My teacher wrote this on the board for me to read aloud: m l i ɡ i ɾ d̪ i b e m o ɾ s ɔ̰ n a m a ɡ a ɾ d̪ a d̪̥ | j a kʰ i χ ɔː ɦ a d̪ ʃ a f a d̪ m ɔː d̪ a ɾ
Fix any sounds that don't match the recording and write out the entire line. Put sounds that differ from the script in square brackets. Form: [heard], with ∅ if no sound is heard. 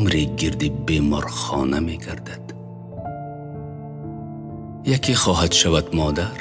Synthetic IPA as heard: m [ɾ] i ɡ i ɾ d̪ i b e m [ɔ] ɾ [χ] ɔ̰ n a m [e] ɡ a ɾ d̪ a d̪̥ | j a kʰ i χ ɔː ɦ a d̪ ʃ a [v] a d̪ m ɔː d̪ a ɾ